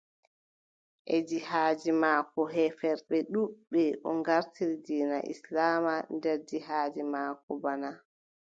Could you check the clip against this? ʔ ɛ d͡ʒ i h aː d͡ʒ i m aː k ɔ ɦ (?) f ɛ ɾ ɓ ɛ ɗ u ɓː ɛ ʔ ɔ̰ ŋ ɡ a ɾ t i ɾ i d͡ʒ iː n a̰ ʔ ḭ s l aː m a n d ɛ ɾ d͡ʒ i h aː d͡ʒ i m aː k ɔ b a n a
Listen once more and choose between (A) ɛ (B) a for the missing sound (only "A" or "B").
A